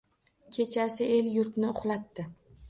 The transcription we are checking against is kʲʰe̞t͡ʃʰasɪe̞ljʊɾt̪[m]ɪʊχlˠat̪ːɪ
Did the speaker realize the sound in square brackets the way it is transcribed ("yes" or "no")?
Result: no